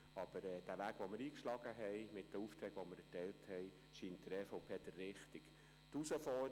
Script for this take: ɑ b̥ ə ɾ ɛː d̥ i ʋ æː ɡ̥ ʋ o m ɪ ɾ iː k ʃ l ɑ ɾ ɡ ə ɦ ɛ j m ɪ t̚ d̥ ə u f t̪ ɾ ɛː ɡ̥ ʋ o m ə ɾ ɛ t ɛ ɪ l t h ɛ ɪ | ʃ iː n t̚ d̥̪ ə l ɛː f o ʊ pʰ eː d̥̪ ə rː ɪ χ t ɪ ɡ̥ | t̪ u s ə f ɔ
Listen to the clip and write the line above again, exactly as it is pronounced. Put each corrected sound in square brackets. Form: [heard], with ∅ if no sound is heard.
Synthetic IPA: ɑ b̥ ə ɾ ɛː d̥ [æ] ʋ æː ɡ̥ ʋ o m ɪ ɾ iː k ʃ l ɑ [∅] ɡ ə ɦ ɛ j m ɪ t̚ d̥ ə u f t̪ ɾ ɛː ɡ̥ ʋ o m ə ɾ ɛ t ɛ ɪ l t h ɛ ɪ | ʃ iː n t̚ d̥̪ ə [ɾ] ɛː f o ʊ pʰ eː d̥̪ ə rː ɪ χ t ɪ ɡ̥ | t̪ u s ə f ɔ